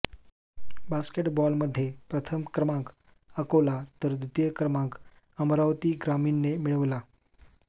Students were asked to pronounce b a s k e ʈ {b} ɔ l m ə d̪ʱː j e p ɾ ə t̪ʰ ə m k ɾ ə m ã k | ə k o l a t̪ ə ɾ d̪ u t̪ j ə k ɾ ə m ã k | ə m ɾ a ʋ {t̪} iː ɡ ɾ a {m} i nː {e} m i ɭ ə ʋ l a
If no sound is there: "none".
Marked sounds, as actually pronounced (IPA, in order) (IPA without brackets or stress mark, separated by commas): b, t̪, m, e